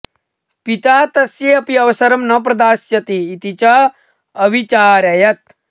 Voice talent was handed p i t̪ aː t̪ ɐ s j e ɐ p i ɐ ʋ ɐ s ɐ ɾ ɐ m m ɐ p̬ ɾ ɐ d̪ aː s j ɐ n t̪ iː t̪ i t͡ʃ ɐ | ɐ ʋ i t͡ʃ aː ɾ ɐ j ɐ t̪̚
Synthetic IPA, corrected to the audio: p i t̪ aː t̪ ɐ s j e ɐ p i ɐ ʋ ɐ s ɐ ɾ ɐ m n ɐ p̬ ɾ ɐ d̪ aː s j ɐ t̪ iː t̪ i t͡ʃ ɐ | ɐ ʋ i t͡ʃ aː ɾ ɐ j ɐ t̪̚